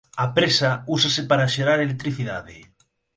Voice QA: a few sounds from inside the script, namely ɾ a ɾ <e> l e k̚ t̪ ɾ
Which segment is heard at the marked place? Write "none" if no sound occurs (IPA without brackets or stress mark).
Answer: e